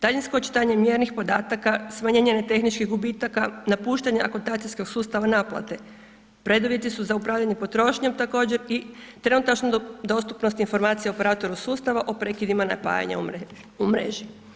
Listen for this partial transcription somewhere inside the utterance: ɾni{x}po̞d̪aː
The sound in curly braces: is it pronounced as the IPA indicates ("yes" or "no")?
yes